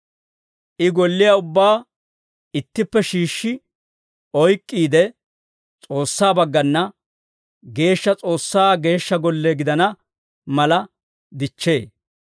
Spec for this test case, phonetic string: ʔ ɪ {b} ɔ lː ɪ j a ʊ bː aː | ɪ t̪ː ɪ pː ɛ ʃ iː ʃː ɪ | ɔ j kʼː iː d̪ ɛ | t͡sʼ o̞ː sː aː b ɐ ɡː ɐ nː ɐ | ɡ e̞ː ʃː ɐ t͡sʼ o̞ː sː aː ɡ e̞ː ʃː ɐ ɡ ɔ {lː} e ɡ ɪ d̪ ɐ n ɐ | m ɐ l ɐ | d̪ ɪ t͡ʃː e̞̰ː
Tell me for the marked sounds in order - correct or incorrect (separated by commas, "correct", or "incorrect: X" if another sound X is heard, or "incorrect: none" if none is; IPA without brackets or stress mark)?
incorrect: ɡ, correct